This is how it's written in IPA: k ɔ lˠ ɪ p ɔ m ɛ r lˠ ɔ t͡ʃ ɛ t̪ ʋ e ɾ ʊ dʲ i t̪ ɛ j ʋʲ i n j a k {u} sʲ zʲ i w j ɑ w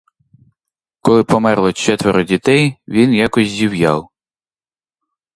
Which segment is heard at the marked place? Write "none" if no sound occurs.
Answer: ɔ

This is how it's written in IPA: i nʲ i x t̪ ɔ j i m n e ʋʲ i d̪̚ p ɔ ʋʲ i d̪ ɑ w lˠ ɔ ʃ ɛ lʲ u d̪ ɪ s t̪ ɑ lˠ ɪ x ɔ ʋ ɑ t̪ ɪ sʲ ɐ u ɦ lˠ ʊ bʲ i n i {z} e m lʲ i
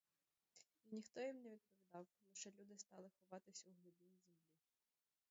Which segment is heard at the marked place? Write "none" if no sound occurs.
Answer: z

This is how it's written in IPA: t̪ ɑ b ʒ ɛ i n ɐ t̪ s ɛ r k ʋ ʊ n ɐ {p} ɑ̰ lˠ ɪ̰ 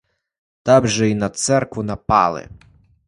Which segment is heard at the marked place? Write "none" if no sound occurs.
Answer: p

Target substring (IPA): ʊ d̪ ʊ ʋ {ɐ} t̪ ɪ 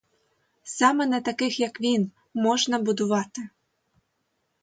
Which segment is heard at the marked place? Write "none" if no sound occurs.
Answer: ɑ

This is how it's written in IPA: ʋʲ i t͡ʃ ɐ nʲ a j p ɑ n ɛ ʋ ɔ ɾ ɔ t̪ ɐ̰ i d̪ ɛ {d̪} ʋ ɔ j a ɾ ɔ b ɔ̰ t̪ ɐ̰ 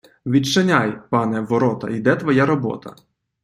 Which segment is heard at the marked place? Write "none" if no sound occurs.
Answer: t̪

